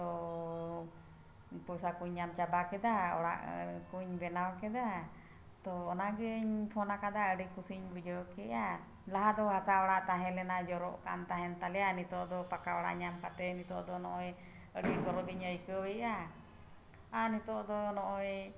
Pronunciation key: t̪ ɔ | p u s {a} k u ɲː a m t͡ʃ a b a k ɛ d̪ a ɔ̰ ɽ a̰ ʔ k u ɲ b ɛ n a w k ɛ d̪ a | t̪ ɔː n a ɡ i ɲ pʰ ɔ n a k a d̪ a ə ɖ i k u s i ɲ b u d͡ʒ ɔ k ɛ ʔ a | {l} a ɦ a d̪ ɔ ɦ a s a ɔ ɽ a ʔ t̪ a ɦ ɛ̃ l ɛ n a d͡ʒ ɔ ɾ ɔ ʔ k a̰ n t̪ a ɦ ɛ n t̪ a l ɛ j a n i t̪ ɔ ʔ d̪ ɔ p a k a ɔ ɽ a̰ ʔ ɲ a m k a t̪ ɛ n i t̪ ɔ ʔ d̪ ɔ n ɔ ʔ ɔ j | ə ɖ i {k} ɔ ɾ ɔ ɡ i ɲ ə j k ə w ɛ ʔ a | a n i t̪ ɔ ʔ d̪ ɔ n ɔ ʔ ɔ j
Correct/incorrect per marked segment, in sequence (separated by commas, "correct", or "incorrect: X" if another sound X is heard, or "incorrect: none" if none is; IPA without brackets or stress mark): correct, correct, incorrect: ɡ